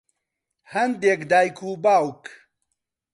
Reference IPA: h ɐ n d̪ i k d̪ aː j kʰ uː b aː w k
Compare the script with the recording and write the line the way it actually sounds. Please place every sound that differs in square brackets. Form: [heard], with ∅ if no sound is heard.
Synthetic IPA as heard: h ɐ n d̪ [e] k d̪ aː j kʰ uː b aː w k